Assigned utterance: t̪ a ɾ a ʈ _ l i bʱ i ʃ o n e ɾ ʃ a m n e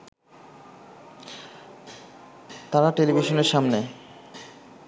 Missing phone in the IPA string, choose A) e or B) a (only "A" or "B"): A